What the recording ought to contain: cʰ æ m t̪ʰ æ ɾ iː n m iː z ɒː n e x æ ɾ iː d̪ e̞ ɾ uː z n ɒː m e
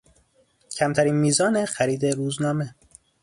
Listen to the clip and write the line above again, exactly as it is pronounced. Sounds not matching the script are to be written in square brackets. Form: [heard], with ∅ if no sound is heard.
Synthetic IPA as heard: cʰ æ m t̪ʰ æ ɾ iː n m iː z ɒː n e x æ ɾ iː d̪ e̞ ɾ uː z n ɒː m e